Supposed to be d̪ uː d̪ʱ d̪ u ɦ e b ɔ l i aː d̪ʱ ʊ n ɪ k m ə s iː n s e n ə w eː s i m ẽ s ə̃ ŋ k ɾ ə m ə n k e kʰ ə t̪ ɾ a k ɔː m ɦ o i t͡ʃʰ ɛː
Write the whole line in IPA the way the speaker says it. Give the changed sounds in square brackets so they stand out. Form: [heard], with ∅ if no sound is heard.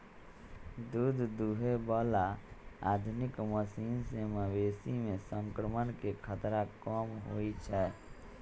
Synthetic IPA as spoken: d̪ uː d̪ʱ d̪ u ɦ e b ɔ l [a] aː d̪ʱ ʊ n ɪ k m ə s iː n s e [m] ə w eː s i m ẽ s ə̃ ŋ k ɾ ə m ə n k e kʰ ə t̪ ɾ a k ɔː m ɦ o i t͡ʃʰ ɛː